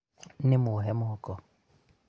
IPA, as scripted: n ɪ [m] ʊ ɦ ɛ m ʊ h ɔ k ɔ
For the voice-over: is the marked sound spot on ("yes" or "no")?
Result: yes